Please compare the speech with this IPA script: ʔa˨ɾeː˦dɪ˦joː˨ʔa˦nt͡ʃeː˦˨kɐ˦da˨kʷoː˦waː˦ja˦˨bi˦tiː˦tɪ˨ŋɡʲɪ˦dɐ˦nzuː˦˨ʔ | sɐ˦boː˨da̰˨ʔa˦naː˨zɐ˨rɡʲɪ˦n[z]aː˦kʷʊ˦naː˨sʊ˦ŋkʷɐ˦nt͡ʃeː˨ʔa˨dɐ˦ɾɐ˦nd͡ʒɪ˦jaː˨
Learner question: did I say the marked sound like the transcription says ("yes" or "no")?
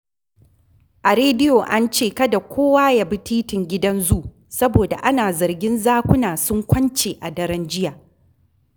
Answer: yes